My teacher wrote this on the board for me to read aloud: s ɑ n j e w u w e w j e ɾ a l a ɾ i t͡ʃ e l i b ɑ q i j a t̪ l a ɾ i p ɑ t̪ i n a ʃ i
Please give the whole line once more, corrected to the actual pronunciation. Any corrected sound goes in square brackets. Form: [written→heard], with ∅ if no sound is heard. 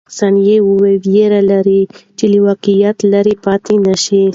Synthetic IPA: s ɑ n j e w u w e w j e ɾ a l a ɾ i t͡ʃ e l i [b→w] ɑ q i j a t̪ l a ɾ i p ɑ t̪ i n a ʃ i